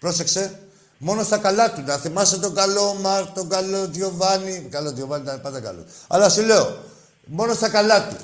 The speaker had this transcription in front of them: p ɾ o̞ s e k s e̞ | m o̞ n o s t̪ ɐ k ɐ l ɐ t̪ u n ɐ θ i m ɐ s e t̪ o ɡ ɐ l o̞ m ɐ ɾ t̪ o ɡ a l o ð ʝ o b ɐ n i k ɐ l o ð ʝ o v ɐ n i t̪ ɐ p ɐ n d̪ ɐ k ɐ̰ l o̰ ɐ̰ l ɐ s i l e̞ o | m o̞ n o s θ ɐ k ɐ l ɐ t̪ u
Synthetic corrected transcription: p ɾ o̞ s e k s e̞ | m o̞ n o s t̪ ɐ k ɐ l ɐ t̪ u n ɐ θ i m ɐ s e t̪ o ɡ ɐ l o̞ m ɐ ɾ t̪ o ɡ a l o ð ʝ o v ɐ n i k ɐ l o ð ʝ o v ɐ n i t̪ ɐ p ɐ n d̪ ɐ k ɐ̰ l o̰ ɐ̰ l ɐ s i l e̞ o | m o̞ n o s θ ɐ k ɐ l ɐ t̪ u